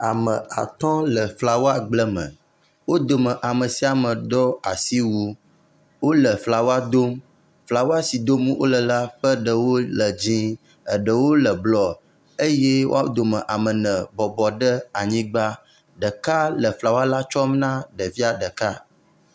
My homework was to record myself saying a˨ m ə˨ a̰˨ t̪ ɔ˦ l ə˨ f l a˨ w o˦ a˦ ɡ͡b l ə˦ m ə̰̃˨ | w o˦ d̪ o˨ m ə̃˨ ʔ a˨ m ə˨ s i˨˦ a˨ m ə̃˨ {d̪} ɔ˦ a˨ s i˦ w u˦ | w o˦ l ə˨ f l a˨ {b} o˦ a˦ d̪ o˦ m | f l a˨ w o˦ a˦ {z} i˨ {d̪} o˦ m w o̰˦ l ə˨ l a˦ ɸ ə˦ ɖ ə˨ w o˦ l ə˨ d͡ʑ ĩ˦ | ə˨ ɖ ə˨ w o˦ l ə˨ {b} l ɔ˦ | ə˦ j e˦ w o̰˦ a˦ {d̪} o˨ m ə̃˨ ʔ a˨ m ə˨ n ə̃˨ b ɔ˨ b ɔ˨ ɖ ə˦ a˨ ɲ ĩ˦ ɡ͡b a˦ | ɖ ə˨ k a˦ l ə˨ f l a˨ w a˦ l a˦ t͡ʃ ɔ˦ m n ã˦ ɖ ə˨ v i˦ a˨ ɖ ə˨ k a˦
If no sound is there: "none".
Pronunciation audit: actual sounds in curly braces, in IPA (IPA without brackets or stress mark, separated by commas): d̪, w, s, d̪, b, d̪